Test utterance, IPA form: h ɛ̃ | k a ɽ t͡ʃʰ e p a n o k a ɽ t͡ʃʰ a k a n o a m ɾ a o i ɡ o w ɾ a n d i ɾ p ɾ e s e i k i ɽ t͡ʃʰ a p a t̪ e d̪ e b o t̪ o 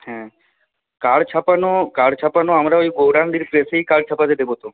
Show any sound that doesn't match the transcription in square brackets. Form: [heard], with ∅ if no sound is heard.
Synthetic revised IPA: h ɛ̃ | k a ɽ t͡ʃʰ [a] p a n o k a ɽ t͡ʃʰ a [p] a n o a m ɾ a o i ɡ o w ɾ a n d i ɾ p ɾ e s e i k [a] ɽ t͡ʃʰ a p a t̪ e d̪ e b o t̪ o

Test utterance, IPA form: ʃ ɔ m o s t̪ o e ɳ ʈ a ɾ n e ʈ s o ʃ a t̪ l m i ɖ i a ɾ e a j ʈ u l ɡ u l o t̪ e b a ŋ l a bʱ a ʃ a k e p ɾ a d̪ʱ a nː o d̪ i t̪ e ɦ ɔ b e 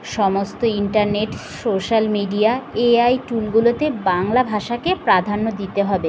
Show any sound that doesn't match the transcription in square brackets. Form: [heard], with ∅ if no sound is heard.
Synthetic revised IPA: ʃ ɔ m o s t̪ o [i] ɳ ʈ a ɾ n e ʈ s o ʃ a [∅] l m i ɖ i a [∅] e a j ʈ u l ɡ u l o t̪ e b a ŋ l a bʱ a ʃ a k e p ɾ a d̪ʱ a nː o d̪ i t̪ e ɦ ɔ b e

